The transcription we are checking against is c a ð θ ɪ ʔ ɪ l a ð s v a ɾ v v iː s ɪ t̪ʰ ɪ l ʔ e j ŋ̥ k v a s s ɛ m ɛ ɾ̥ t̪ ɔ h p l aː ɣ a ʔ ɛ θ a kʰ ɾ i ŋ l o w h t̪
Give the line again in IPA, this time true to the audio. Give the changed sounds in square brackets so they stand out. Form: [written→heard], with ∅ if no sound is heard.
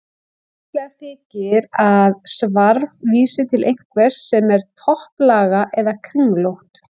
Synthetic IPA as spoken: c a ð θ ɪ [ʔ→c] ɪ [l→ɾ] a ð s v a ɾ v v iː s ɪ t̪ʰ ɪ l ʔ e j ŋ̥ k v [a→ɛ] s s ɛ m ɛ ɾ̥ [t̪→t̪ʰ] ɔ h p l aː ɣ a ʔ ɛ [θ→ð] a kʰ ɾ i ŋ l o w h t̪